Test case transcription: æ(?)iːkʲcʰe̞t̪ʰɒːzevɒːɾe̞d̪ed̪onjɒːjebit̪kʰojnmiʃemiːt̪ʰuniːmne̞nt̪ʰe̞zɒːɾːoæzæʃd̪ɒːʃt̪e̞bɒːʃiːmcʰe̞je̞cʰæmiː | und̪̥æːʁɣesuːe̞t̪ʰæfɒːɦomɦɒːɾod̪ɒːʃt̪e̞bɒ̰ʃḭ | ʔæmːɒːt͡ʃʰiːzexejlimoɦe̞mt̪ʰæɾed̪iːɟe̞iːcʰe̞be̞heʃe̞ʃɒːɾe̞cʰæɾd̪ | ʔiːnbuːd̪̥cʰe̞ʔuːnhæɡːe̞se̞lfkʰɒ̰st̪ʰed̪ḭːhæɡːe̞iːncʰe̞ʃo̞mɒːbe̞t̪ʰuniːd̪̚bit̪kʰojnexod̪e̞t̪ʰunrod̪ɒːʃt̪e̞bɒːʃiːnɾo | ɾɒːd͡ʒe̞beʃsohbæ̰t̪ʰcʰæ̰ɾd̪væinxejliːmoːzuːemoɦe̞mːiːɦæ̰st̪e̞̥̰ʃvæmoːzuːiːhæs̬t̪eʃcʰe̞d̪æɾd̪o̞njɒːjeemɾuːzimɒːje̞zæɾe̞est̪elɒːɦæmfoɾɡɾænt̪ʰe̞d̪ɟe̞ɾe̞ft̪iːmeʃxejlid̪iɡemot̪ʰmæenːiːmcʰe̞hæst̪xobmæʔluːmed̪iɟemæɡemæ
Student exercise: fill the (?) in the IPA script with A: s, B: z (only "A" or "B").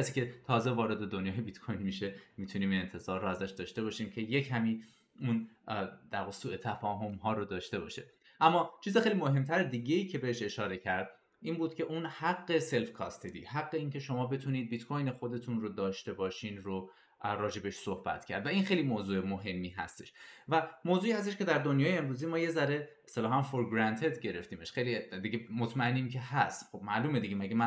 A